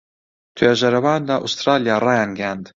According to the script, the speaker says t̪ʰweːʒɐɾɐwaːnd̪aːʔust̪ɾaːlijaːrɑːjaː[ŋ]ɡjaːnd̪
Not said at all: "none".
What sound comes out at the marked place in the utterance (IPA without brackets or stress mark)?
n